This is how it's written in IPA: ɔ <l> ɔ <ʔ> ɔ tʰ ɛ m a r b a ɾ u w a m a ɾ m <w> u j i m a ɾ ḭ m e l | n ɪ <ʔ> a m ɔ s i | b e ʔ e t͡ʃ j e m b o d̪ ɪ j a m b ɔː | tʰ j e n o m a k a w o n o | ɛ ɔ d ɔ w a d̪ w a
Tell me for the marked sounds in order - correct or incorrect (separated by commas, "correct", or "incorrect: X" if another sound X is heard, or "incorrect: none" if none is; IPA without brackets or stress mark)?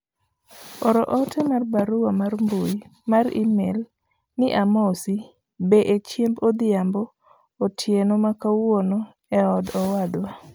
incorrect: ɾ, correct, incorrect: b, correct